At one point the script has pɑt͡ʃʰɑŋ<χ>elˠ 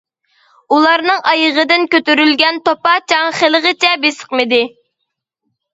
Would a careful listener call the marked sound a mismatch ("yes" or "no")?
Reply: no